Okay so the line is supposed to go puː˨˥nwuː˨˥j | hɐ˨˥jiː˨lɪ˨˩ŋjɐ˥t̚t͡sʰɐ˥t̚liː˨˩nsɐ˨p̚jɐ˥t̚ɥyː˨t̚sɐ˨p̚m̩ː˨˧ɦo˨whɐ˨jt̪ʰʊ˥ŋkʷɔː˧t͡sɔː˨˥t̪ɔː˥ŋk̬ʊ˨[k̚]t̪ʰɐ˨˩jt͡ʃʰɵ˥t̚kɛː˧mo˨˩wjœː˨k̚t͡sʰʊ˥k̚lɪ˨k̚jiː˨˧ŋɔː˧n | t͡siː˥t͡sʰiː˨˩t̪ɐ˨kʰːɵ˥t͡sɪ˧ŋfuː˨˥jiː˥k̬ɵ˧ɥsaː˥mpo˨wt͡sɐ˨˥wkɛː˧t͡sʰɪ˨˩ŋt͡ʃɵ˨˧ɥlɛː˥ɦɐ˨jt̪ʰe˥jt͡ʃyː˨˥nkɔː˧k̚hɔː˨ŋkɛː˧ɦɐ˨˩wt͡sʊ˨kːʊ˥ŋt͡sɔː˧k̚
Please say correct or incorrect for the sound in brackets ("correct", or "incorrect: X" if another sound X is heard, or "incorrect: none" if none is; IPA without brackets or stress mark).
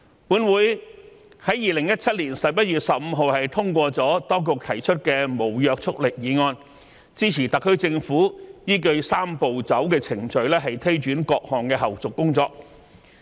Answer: correct